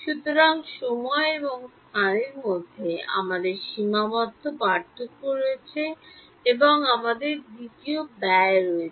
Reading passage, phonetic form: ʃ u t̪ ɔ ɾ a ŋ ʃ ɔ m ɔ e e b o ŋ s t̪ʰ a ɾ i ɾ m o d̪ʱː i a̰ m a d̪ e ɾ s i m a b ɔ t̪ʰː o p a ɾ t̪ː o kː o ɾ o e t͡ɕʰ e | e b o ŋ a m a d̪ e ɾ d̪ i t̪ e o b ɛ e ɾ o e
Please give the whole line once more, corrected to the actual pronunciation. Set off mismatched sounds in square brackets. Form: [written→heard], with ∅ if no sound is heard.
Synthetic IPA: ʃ u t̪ [ɔ→o] ɾ a ŋ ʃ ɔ m ɔ e e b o ŋ s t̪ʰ a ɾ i ɾ m o d̪ʱː [i→e] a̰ m a d̪ e ɾ [s→ʃ] i m a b ɔ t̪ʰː o p a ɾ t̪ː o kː o ɾ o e t͡ɕʰ e | e b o ŋ a m a d̪ e ɾ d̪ i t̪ [e→i] o b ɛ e ɾ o e